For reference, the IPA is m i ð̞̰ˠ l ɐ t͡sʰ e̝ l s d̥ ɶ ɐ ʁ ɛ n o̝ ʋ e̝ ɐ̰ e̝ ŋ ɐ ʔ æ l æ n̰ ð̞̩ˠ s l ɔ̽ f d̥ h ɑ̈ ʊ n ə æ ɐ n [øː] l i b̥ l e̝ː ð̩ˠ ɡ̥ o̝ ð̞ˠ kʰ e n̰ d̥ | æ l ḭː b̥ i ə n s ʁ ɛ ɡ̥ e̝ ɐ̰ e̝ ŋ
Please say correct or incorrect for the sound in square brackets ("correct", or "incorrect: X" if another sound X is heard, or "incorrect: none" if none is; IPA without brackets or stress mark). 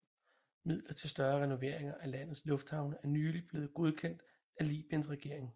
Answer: incorrect: yː